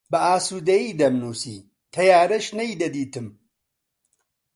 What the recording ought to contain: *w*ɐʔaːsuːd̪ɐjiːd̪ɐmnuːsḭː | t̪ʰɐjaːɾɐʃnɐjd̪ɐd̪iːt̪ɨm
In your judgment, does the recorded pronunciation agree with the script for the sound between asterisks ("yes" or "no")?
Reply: no